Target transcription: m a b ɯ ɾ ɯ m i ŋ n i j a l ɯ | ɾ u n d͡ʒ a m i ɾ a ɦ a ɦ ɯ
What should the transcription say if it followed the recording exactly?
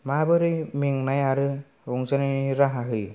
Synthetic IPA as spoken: m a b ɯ ɾ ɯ m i ŋ n a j a ɾ ɯ | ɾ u ŋ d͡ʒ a n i ɾ a ɦ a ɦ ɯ